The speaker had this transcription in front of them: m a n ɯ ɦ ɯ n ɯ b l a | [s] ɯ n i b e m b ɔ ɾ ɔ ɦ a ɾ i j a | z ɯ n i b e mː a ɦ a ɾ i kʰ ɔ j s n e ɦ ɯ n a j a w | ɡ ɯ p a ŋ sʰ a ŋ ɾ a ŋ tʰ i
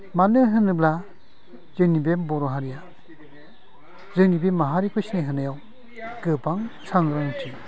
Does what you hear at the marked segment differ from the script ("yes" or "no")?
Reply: yes